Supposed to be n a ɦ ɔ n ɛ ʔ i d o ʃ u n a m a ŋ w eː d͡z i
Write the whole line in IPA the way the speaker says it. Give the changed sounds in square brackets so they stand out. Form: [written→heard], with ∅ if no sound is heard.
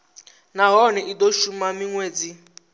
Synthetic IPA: n a ɦ ɔ n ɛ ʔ i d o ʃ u [n→m] a m [a→i] ŋ w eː d͡z i